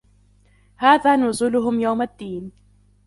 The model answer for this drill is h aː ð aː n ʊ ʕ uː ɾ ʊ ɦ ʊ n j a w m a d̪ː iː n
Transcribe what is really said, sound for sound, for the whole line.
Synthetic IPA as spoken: h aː ð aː n ʊ z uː l ʊ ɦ ʊ m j a w m a d̪ː iː n